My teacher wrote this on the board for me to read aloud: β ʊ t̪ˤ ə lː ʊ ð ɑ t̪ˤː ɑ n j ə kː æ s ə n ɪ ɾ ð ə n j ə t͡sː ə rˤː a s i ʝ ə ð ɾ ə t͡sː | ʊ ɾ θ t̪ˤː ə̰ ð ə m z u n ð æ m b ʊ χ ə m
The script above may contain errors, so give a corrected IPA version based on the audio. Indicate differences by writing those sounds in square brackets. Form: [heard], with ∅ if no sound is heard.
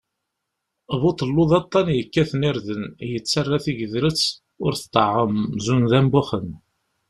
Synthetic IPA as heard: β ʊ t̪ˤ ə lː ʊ ð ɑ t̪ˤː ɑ n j ə kː æ [θ] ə n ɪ ɾ ð ə n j ə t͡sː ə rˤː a [θ] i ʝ ə ð ɾ ə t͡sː | ʊ ɾ θ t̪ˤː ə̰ [ʕ] ə m z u n ð æ m b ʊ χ ə [n]